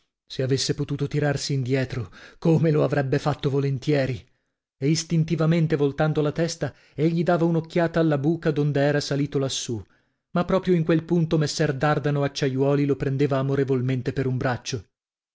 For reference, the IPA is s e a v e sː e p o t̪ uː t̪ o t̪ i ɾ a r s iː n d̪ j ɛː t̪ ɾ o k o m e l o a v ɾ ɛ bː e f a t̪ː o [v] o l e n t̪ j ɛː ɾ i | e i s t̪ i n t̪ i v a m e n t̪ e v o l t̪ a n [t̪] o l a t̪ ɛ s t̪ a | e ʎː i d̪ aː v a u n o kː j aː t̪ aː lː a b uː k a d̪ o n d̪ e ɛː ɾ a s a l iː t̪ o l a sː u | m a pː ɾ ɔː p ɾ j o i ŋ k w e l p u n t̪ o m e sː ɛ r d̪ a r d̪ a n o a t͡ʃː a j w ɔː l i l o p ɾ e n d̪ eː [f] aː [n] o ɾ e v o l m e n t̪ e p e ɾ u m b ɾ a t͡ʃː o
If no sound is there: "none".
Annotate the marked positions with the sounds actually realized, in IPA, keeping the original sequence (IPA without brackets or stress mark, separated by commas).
v, d̪, v, m